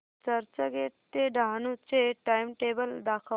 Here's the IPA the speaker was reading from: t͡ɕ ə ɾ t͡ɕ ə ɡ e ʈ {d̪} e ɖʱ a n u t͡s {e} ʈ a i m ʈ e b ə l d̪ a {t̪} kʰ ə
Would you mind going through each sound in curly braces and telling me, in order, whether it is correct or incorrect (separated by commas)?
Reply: incorrect, correct, incorrect